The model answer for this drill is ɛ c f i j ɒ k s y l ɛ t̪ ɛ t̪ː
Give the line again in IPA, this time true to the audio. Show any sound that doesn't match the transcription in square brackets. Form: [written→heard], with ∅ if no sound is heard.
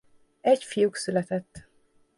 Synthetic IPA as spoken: ɛ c f i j [ɒ→u] k s y l ɛ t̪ ɛ t̪ː